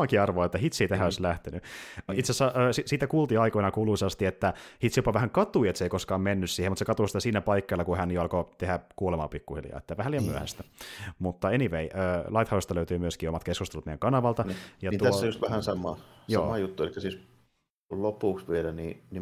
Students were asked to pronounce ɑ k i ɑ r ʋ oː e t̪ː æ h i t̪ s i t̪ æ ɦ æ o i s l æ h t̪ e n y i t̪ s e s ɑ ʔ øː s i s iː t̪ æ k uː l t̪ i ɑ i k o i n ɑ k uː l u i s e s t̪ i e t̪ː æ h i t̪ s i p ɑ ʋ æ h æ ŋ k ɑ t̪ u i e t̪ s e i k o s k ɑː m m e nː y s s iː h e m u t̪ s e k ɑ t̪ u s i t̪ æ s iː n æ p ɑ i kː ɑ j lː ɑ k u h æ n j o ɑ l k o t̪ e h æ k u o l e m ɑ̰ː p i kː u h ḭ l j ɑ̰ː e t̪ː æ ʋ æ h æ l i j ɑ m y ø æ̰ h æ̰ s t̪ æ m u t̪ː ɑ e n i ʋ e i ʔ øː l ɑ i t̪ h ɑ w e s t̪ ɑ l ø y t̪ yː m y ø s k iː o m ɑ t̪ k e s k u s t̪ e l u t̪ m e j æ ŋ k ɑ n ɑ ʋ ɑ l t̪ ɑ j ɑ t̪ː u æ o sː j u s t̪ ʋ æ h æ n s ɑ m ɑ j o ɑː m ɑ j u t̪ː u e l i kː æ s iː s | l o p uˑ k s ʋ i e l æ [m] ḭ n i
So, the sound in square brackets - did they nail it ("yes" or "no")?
no